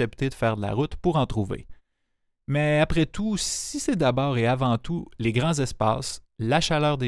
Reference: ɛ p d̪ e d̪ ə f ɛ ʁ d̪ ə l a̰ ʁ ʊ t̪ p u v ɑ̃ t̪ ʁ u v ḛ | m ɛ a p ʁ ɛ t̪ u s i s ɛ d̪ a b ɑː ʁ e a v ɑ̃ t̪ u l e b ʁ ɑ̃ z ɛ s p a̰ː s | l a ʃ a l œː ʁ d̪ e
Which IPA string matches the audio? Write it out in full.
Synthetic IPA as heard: ɛ p t̪ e d̪ ə f ɛː ʁ d̪ ə l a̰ ʁ ʊ t̪ p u ʁ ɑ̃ t̪ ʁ u v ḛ | m ɛ a p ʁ ɛ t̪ u s i s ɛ d̪ a b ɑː ʁ e a v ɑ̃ t̪ u l e ɡ ʁ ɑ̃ z ɛ s p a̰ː s | l a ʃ a l œː ʁ d̪ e